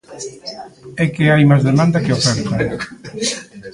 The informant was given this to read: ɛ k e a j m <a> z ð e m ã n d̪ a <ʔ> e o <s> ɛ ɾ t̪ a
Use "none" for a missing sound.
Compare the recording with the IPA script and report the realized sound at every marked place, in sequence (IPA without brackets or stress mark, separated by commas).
a, k, f